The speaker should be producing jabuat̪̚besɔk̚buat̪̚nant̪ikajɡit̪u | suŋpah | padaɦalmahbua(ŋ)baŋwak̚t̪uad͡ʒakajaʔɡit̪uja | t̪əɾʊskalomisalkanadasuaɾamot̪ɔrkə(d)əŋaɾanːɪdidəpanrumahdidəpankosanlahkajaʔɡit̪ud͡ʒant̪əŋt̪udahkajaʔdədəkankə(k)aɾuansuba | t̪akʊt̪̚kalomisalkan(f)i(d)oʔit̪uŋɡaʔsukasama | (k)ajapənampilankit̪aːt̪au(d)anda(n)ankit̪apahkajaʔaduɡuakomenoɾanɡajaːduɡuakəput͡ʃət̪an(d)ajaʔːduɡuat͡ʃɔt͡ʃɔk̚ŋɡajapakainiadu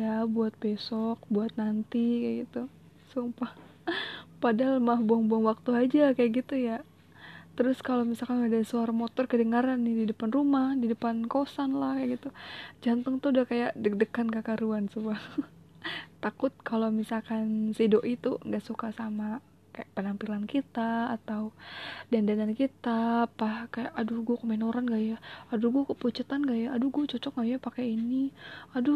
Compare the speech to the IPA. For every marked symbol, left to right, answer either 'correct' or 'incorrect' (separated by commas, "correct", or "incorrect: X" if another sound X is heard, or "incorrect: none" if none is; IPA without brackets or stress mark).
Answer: correct, correct, correct, incorrect: s, correct, correct, correct, correct, incorrect: ɡ